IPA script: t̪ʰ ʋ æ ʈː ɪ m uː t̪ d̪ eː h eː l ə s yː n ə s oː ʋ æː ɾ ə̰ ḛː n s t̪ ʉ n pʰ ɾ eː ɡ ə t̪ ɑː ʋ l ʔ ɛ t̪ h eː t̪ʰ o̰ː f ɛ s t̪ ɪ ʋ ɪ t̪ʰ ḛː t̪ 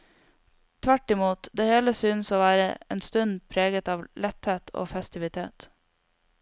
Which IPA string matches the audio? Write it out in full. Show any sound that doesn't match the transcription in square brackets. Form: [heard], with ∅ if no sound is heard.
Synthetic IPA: t̪ʰ ʋ æ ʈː ɪ m uː t̪ d̪ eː h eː l ə s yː n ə s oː ʋ æː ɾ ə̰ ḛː n s t̪ ʉ n pʰ ɾ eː ɡ ə t̪ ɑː ʋ l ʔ ɛ t̪ h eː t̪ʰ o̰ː f ɛ s t̪ ɪ ʋ ɪ t̪ʰ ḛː t̪